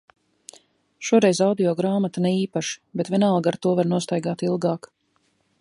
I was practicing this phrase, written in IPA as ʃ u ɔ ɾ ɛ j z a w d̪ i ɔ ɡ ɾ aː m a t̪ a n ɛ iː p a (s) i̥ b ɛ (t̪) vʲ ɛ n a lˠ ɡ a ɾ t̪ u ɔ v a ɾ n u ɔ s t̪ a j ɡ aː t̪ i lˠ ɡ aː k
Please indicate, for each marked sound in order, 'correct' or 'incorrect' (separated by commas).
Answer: incorrect, correct